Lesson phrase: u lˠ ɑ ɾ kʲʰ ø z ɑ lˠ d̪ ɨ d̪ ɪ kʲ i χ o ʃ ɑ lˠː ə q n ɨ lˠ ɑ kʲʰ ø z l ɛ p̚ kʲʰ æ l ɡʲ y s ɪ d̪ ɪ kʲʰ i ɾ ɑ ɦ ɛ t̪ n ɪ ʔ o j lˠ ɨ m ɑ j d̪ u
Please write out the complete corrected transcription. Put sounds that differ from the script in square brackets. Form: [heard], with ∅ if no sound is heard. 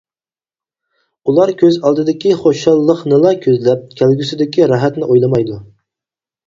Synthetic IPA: u lˠ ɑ ɾ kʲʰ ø z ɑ lˠ d̪ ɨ d̪ ɪ kʲ i χ o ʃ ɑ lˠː ə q n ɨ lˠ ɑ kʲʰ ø z l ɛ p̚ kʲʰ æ l ɡʲ y s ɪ d̪ ɪ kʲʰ i ɾ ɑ ɦ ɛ t̪ n ɪ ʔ o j lˠ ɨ m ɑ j d̪ u